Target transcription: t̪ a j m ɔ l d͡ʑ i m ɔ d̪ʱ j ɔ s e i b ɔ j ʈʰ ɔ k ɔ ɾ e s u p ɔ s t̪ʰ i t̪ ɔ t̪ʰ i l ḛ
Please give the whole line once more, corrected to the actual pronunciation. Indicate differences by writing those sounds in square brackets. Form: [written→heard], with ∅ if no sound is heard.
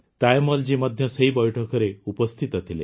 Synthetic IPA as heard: t̪ a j m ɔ l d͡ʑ i m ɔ d̪ʱ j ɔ s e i b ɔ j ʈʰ ɔ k ɔ ɾ e [s→∅] u p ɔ s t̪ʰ i t̪ ɔ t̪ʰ i l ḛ

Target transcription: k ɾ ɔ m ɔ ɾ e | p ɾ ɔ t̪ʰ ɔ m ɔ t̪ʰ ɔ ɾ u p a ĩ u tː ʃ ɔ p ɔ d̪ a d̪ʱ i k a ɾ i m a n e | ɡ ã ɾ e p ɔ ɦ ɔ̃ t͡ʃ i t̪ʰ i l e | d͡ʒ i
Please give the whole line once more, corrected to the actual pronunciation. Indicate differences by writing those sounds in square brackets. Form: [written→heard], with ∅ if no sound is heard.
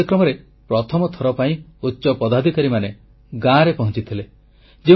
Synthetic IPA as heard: k ɾ ɔ m ɔ ɾ e | p ɾ ɔ t̪ʰ ɔ m ɔ t̪ʰ ɔ ɾ [u→ɔ] p a ĩ u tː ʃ ɔ p ɔ d̪ a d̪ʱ i k a ɾ i m a n e | ɡ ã ɾ e p ɔ ɦ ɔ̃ t͡ʃ i t̪ʰ i l e | d͡ʒ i

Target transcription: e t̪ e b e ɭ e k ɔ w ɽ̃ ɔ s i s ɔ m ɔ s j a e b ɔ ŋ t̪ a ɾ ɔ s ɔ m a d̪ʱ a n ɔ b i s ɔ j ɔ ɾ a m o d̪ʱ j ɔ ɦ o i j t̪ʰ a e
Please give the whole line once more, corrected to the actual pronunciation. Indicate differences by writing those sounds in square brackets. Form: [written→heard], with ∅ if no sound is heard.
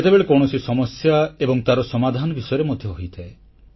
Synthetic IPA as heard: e t̪ e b e ɭ e k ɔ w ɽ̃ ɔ s i s ɔ m ɔ s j a e b ɔ ŋ t̪ a ɾ ɔ s ɔ m a d̪ʱ a n ɔ b i s ɔ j ɔ ɾ [a→e] m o d̪ʱ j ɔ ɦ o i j t̪ʰ a e

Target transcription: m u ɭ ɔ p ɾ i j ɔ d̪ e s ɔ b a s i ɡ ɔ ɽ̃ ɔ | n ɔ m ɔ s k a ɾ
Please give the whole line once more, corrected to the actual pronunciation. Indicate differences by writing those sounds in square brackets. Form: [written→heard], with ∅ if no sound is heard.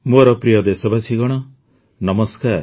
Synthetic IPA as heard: m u [ɭ→ɾ] ɔ p ɾ i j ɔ d̪ e s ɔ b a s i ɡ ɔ ɽ̃ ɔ | n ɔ m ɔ s k a ɾ

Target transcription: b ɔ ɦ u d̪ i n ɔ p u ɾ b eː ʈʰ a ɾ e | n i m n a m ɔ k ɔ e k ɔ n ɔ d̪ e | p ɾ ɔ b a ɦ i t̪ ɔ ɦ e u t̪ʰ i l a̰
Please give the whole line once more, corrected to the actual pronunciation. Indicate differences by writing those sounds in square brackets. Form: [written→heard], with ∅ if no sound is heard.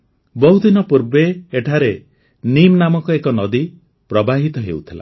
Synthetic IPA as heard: b ɔ ɦ u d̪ i n ɔ p u ɾ b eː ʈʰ a ɾ e | n i m n a m ɔ k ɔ e k ɔ n ɔ d̪ [e→i] | p ɾ ɔ b a ɦ i t̪ ɔ ɦ e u t̪ʰ i l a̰

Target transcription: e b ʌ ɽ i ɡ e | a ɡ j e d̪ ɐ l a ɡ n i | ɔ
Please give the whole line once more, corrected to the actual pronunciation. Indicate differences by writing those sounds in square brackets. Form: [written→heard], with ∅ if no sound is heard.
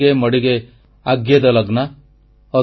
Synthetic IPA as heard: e [b→m] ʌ ɽ i ɡ e | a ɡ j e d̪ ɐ l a ɡ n [i→a] | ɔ

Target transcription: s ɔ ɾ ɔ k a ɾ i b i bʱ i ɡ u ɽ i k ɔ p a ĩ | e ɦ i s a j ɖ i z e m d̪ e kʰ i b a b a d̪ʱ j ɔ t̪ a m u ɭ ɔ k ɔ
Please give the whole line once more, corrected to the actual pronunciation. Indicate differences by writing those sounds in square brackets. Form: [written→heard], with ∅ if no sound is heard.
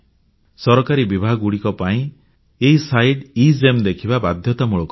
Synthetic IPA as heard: s ɔ ɾ ɔ k a ɾ i b i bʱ [i→a] ɡ u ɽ i k ɔ p a ĩ | e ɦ i s a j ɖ i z e m d̪ e kʰ i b a b a d̪ʱ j ɔ t̪ a m u ɭ ɔ k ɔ

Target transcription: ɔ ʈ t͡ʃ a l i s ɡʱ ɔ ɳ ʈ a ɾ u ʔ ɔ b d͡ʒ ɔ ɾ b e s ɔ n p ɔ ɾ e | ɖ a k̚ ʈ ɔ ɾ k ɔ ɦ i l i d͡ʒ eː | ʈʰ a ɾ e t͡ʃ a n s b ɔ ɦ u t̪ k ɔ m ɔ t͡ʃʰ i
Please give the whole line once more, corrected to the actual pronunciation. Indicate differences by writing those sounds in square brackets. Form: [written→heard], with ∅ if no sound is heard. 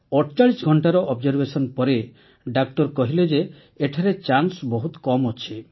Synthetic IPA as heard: ɔ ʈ t͡ʃ a [l→ɭ] i s ɡʱ ɔ ɳ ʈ a ɾ [u→ɔ] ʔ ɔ b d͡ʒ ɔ ɾ b e s ɔ n p ɔ ɾ e | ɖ a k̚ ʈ ɔ ɾ k ɔ ɦ i l [i→e] d͡ʒ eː | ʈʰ a ɾ e t͡ʃ a n s b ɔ ɦ u t̪ k ɔ m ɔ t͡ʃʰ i

